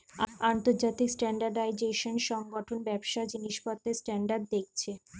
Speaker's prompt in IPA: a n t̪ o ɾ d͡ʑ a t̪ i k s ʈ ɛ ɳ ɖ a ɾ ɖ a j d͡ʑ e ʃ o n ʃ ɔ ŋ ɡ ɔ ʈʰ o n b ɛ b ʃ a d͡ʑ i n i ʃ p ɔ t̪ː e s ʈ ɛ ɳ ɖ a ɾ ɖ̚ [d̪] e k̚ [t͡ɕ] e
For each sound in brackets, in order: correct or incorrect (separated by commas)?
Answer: correct, incorrect